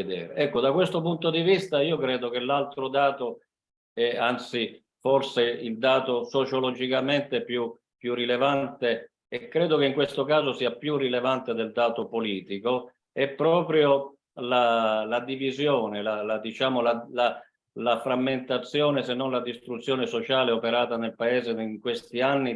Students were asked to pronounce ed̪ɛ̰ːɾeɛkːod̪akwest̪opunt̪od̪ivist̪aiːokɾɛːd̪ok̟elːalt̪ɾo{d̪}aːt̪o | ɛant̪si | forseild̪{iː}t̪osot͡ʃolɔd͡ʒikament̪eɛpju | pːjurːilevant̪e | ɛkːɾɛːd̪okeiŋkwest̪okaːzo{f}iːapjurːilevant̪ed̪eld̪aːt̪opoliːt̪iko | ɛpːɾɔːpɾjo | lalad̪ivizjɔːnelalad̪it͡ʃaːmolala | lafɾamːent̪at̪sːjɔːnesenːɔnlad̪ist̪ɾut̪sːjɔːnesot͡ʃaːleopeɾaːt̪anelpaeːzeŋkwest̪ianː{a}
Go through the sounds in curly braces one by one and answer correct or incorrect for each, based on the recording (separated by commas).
correct, incorrect, incorrect, incorrect